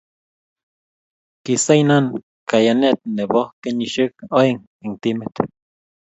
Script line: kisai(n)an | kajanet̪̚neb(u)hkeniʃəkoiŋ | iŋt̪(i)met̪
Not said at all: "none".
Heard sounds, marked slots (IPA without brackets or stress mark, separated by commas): n, o, i